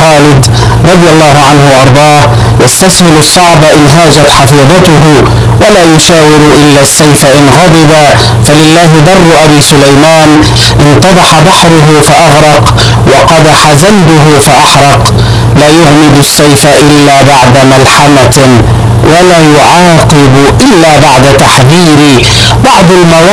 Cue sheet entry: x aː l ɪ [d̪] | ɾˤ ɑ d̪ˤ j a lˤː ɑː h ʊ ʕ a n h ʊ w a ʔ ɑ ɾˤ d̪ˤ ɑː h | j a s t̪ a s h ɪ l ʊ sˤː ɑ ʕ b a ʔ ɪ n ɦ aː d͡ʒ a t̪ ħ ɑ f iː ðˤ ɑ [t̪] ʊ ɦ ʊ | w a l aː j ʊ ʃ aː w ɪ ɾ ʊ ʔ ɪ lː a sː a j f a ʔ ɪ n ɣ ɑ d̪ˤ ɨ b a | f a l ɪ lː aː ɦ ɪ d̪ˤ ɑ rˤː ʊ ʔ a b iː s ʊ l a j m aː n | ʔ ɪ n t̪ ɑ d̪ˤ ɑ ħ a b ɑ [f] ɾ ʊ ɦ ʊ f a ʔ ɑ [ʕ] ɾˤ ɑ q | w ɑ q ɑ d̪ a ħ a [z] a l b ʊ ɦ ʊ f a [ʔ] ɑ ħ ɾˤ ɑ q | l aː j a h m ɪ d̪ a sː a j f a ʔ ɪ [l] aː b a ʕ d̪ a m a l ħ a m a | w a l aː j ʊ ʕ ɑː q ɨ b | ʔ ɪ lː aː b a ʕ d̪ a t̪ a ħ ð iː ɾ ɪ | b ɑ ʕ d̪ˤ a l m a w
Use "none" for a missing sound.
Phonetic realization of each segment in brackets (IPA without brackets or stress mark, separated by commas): d̪, t̪, ħ, ɣ, z, ʔ, lː